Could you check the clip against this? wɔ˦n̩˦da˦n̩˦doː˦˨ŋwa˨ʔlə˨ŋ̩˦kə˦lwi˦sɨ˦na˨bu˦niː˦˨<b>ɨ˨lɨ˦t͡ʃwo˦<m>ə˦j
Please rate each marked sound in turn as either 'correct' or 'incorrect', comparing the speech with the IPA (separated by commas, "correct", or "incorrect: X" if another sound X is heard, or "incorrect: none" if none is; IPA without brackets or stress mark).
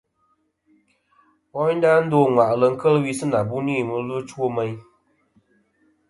incorrect: m, correct